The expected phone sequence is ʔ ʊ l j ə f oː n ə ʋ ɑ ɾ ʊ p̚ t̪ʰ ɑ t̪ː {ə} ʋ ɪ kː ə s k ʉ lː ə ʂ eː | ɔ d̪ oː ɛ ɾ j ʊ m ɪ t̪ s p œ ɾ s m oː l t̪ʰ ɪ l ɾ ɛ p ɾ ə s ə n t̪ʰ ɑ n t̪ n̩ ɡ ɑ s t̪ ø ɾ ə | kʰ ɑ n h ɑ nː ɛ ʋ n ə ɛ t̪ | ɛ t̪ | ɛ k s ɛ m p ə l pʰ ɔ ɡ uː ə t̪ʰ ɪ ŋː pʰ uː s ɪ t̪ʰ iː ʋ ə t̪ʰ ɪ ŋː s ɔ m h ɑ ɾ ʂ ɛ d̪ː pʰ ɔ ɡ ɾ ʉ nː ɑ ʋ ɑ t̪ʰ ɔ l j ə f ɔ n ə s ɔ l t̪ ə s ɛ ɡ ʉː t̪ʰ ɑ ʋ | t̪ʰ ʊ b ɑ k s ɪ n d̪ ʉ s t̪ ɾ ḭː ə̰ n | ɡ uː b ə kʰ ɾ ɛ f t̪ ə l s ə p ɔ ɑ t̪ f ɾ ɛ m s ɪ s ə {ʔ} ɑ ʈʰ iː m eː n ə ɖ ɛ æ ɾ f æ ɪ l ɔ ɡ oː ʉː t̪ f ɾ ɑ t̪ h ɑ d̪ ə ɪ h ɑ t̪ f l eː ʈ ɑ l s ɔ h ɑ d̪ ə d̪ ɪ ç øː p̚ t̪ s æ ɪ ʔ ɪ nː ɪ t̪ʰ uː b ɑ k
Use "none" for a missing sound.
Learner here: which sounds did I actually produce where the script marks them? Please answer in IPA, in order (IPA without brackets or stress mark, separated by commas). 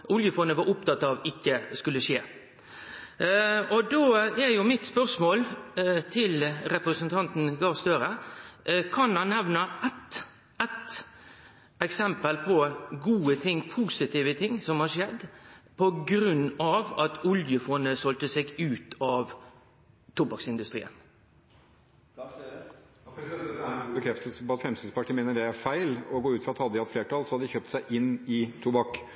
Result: ɑ, p